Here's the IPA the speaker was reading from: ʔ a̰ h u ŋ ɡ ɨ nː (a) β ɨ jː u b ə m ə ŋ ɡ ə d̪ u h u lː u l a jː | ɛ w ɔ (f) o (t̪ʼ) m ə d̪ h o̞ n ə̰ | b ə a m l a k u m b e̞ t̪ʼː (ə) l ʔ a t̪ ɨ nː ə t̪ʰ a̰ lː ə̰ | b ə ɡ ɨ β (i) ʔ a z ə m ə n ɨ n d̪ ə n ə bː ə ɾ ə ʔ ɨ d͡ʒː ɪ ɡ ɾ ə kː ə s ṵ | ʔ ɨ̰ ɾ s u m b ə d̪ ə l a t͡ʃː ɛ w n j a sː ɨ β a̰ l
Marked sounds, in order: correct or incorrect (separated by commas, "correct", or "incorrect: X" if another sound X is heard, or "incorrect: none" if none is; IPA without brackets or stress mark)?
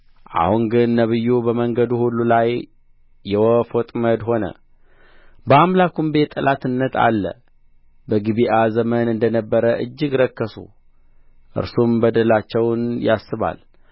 incorrect: ə, correct, correct, correct, correct